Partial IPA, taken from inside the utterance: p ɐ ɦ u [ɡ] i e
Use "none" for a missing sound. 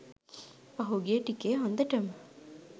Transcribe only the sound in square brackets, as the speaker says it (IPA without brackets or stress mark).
ɡ